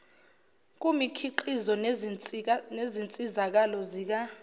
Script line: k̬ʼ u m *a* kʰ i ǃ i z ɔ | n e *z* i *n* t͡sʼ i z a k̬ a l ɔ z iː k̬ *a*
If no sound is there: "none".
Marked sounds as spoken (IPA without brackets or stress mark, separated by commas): i, z, n, a